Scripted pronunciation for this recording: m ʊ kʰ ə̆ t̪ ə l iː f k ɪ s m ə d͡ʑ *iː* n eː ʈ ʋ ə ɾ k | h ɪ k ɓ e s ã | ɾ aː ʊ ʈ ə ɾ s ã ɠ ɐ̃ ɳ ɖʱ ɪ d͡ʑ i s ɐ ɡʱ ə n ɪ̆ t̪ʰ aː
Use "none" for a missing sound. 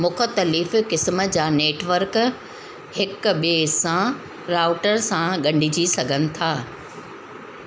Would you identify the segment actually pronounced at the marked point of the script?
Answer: aː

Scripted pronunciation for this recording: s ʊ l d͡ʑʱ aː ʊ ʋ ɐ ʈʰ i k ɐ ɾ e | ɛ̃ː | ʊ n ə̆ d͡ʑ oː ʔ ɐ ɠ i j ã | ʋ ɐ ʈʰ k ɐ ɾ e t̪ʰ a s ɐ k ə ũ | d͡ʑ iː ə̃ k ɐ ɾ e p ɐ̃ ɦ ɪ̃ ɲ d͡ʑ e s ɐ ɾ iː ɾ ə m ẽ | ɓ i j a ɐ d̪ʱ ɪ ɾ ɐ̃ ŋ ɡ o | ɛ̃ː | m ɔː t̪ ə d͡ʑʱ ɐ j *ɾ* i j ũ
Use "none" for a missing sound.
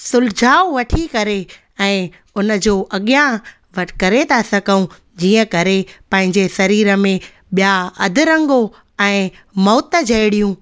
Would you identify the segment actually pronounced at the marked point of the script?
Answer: ɽ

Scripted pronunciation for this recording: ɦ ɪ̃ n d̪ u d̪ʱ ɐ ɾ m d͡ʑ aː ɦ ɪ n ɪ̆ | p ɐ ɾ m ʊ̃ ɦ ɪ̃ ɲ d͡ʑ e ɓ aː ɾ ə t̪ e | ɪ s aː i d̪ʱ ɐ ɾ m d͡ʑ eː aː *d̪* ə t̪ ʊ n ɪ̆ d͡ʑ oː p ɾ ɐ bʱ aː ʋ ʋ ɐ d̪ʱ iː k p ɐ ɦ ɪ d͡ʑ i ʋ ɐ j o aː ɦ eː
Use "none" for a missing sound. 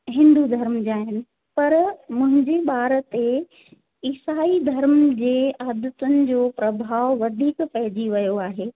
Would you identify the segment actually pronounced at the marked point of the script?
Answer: d̪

